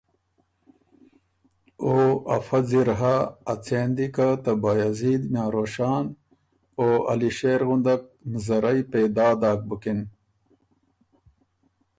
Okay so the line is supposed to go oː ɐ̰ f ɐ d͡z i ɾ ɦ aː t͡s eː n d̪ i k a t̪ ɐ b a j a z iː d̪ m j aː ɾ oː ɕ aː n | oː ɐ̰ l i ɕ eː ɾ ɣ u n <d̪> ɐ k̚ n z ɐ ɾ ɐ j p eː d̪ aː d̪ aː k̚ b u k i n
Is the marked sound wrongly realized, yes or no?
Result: no